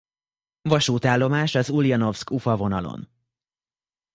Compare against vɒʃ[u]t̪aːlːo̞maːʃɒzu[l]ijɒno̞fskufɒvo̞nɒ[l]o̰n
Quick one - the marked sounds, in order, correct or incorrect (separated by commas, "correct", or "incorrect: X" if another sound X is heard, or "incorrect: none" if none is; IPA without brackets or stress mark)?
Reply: incorrect: uː, correct, correct